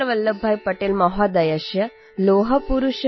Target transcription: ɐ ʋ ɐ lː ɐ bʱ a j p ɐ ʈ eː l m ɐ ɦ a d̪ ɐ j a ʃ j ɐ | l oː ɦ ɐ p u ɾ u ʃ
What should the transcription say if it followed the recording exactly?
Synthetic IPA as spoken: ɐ ʋ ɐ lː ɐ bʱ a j p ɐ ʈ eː l m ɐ ɦ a d̪ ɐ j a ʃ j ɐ | l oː ɦ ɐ p u ɾ u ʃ